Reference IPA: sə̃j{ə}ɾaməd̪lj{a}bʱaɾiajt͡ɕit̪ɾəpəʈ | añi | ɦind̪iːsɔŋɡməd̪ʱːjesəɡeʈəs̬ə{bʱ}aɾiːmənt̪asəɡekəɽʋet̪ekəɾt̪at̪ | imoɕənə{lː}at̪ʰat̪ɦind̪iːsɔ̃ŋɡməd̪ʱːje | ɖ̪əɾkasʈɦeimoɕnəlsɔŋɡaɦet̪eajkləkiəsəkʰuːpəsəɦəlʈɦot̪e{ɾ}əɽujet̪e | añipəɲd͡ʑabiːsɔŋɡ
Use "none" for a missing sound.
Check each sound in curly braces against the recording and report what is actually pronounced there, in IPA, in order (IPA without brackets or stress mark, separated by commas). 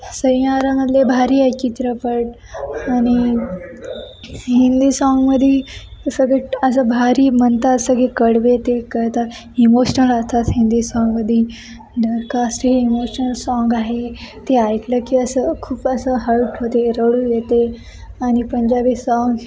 a, e, bʱ, l, ɾ